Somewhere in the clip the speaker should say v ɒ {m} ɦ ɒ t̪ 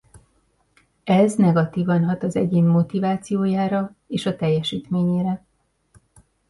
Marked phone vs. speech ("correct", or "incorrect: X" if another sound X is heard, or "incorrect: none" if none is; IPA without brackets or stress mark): incorrect: n